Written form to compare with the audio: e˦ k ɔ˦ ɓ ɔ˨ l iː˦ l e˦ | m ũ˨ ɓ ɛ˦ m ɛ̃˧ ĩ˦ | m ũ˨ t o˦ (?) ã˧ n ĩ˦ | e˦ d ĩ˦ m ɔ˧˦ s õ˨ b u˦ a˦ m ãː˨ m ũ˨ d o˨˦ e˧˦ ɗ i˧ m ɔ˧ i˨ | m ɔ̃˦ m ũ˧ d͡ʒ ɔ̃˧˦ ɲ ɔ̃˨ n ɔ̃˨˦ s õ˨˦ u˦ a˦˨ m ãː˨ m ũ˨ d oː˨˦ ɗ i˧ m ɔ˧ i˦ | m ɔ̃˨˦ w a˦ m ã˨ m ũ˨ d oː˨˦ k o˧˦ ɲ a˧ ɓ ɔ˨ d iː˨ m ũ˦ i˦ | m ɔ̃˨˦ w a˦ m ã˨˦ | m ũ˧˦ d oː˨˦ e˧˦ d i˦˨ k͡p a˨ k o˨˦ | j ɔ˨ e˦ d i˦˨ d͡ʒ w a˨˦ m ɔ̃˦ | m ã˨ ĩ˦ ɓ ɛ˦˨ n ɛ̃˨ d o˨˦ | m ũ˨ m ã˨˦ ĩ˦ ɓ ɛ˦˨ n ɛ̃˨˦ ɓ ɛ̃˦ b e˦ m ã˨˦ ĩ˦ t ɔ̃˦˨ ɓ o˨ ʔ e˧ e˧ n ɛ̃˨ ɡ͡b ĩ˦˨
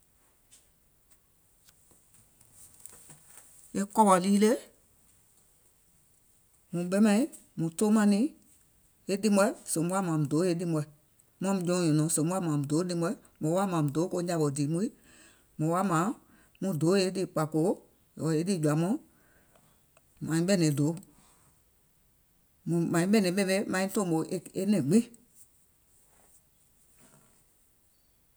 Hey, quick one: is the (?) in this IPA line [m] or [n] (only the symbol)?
m